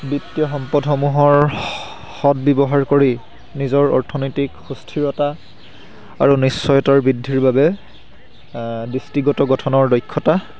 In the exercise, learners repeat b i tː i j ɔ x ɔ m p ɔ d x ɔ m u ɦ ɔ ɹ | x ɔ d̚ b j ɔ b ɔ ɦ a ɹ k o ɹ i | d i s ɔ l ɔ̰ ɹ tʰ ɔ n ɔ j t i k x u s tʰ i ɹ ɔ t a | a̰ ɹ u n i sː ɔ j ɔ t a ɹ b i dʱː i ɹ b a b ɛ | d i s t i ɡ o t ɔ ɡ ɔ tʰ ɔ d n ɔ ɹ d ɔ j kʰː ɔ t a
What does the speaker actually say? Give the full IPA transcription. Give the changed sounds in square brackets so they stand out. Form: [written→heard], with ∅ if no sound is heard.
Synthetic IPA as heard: b i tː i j ɔ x ɔ m p ɔ d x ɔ m u ɦ ɔ ɹ | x ɔ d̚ b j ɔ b ɔ ɦ a ɹ k o ɹ i | [d→n] i [s→z] ɔ [l→ɹ] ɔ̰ ɹ tʰ ɔ n ɔ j t i k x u s tʰ i ɹ ɔ t a | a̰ ɹ u n i sː ɔ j ɔ t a ɹ b i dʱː i ɹ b a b ɛ | d i s t i ɡ [o→ɔ] t ɔ ɡ ɔ tʰ ɔ [d→∅] n ɔ ɹ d ɔ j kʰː ɔ t a